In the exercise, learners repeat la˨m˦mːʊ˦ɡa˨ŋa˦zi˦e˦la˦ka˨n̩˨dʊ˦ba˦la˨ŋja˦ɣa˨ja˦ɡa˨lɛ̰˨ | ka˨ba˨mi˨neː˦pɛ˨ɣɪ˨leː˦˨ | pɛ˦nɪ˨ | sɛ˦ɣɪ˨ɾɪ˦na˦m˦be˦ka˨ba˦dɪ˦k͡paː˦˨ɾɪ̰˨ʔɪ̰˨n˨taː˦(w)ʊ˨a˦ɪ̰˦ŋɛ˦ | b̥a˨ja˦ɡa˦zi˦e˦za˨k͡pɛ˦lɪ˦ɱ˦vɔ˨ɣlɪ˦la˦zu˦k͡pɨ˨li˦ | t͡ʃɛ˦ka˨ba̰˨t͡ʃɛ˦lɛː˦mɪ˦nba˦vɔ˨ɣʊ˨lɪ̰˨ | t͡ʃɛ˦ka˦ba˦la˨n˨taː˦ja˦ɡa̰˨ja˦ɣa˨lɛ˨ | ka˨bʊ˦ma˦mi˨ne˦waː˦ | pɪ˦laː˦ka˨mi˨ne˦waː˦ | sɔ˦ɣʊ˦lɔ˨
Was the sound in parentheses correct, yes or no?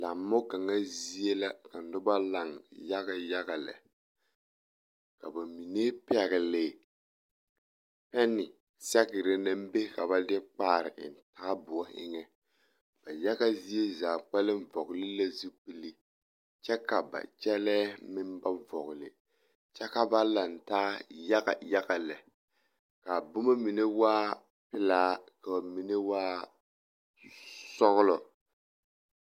no